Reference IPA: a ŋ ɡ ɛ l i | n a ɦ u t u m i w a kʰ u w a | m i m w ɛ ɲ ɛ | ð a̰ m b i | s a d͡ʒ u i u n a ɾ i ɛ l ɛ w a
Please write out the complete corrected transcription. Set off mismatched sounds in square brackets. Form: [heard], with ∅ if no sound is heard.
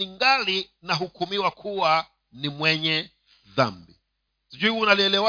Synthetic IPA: [i] ŋ ɡ [a] l i | n a ɦ u [k] u m i w a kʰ u w a | [n] i m w ɛ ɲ ɛ | ð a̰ m b i | s [i] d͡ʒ u i u n a [l] i ɛ l ɛ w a